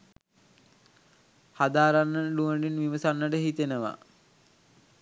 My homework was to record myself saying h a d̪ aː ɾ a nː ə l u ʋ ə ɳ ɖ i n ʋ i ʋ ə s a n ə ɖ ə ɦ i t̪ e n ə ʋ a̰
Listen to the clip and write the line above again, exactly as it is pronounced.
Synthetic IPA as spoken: h a d̪ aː ɾ a nː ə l u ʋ ə ɳ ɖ i n ʋ i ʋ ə s a nː ə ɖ ə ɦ i t̪ e n ə ʋ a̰

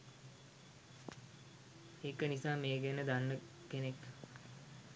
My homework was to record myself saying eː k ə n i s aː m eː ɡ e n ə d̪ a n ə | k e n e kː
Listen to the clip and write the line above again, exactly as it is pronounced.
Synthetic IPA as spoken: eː k ə n i s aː m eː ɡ e n ə d̪ a nː ə | k e n e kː

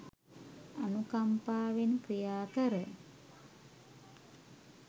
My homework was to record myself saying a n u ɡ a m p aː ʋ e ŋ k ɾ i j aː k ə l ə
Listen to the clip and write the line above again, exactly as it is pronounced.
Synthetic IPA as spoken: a n u k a m p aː ʋ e n k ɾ i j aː k ə ɾ ə

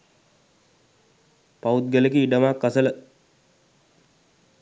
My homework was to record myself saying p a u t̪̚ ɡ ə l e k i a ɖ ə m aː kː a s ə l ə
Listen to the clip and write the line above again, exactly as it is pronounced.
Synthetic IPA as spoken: p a u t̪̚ ɡ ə l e k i i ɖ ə m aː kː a s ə l ə

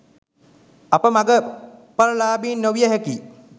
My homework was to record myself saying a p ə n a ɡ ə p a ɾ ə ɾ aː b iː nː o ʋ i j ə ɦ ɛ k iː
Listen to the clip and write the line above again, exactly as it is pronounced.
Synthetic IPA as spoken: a p ə m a ɡ ə p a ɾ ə l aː b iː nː o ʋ i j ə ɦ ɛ k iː

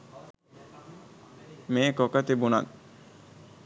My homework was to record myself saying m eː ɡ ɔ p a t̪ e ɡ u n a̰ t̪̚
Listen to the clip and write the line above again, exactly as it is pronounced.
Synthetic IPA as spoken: m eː k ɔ k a t̪ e b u n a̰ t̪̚

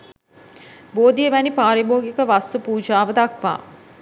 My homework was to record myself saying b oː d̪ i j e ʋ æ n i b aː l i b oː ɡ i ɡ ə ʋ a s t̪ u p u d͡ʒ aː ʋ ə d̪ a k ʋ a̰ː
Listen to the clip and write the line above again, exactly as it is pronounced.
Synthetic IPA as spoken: b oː d̪ i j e ʋ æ n i p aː ɾ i b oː ɡ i k ə ʋ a s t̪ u p uː d͡ʒ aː ʋ ə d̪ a k ʋ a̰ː

